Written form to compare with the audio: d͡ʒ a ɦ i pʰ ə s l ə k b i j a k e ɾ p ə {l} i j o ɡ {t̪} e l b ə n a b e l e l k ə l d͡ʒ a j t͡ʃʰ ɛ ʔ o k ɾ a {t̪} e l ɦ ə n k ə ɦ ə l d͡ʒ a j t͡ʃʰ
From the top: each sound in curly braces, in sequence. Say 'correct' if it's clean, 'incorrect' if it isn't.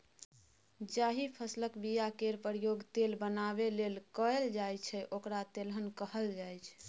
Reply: incorrect: ɾ, correct, correct

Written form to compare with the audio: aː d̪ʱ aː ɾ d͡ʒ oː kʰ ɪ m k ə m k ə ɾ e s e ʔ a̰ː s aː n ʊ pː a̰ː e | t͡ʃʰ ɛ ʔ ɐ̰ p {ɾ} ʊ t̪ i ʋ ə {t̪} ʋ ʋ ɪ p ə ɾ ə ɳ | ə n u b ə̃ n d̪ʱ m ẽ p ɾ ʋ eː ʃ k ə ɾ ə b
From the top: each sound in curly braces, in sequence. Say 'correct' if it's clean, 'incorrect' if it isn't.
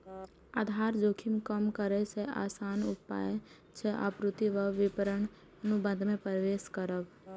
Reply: correct, incorrect: none

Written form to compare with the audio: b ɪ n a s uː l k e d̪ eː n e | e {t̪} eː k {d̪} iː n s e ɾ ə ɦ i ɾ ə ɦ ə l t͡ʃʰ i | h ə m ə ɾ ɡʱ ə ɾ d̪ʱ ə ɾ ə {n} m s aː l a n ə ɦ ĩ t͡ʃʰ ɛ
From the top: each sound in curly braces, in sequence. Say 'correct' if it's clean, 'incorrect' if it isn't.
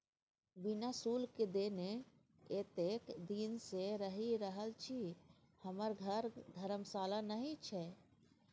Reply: correct, correct, incorrect: none

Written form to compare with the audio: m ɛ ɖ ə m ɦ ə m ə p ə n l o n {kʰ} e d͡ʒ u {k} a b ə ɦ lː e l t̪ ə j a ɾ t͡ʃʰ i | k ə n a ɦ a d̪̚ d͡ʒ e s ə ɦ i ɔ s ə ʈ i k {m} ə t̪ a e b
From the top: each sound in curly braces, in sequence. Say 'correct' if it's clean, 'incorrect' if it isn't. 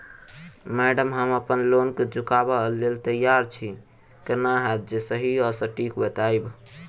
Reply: incorrect: k, correct, incorrect: b

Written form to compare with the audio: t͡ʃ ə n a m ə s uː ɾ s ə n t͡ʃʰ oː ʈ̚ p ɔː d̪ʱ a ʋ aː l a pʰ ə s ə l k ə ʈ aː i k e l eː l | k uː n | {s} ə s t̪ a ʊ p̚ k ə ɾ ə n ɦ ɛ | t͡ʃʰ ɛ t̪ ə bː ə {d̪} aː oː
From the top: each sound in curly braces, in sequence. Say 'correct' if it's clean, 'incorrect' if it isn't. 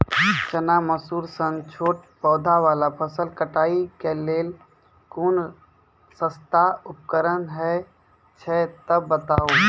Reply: correct, incorrect: t̪

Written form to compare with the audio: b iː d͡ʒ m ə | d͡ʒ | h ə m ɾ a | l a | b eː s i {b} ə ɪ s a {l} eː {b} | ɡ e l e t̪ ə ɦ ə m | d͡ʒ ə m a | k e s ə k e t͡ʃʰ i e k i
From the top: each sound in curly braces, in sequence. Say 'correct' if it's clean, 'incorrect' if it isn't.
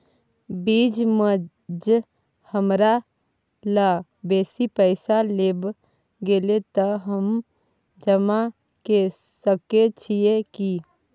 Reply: incorrect: p, correct, correct

